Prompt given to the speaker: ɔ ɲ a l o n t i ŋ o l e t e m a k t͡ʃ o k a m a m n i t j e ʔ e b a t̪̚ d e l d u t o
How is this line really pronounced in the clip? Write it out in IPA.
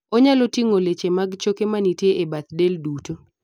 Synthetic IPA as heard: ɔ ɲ a l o t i ŋ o l e t͡ʃ e m a ɡ t͡ʃ o k e m a n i t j e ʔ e b a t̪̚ d e l d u t o